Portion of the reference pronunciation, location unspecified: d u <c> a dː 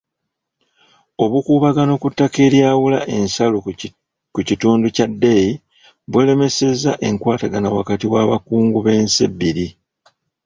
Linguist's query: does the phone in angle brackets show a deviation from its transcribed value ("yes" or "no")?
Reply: no